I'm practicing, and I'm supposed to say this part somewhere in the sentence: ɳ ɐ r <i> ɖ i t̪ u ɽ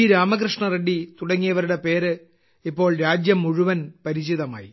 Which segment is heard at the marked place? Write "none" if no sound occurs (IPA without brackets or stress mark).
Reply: e